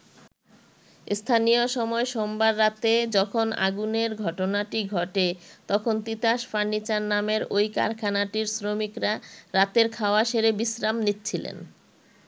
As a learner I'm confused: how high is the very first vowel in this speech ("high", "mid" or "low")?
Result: low